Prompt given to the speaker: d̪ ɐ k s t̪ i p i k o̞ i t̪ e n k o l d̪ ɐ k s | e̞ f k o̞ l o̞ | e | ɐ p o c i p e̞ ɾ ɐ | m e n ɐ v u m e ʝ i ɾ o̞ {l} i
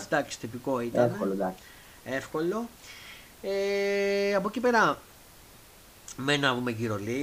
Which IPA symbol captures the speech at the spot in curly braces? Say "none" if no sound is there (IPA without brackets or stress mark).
l